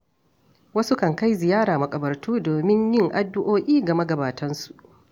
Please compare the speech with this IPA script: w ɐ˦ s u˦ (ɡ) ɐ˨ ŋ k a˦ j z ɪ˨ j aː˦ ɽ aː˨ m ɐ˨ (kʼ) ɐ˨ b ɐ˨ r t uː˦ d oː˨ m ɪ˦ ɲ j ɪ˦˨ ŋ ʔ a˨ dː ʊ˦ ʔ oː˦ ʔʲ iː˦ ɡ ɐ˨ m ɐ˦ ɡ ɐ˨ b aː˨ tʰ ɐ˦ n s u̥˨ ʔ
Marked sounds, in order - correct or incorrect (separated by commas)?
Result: incorrect, correct